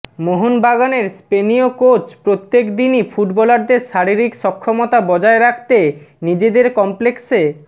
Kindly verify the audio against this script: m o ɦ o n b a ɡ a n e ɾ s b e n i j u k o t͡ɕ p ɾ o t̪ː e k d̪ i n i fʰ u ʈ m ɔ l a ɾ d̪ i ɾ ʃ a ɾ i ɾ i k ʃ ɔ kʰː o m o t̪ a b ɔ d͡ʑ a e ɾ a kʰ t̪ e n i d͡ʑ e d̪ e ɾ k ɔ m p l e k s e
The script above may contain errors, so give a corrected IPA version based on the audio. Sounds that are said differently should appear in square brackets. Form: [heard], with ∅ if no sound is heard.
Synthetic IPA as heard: m o ɦ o n b a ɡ a n e ɾ s [p] e n i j [o] k o t͡ɕ p ɾ o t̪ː e k d̪ i n i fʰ u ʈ [b] ɔ l a ɾ d̪ [e] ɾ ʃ a ɾ i ɾ i k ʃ ɔ kʰː o m o t̪ a b ɔ d͡ʑ a e ɾ a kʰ t̪ e n i d͡ʑ e d̪ e ɾ k ɔ m p l e k s e